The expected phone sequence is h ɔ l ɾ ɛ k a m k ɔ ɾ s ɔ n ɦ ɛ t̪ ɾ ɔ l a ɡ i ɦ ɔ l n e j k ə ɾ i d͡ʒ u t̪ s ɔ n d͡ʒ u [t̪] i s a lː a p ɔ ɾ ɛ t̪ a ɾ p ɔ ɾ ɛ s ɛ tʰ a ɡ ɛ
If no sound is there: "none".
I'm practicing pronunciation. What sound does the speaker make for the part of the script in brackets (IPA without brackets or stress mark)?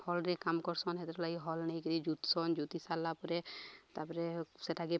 t̪